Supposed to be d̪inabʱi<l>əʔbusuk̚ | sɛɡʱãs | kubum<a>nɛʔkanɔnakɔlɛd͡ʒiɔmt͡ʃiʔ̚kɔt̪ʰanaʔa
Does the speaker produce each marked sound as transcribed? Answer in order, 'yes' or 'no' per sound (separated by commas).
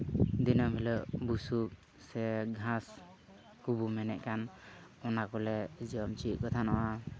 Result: yes, no